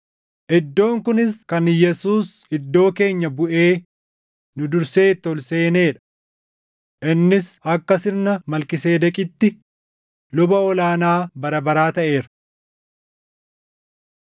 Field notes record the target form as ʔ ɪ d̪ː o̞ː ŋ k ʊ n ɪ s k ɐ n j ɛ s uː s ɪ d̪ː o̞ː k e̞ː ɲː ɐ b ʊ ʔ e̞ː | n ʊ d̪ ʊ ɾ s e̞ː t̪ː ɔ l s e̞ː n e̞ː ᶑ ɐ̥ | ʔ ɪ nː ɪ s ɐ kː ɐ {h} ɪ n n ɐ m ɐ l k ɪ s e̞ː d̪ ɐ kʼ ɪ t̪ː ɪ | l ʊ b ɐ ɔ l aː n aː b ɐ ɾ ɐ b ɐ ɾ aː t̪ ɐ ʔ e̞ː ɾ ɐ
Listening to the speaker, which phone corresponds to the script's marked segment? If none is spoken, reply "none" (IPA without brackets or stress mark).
s